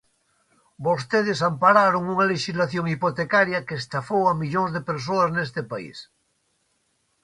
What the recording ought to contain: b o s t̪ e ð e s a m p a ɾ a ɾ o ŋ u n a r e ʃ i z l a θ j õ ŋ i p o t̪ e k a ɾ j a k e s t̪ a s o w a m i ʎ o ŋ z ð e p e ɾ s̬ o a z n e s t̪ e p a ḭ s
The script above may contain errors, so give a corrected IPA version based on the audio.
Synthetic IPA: b o s t̪ e ð e s a m p a ɾ a ɾ o ŋ u ŋ a l e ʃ i z l a θ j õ ŋ i p o t̪ e k a ɾ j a k e s t̪ a f o w a m i ʎ o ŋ z ð e p e ɾ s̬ o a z n e s t̪ e p a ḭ s